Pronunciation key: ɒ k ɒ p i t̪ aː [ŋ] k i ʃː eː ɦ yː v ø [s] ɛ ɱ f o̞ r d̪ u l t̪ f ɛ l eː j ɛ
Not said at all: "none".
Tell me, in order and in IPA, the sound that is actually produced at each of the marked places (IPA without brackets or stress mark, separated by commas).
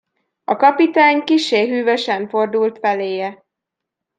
ɲ, ʃ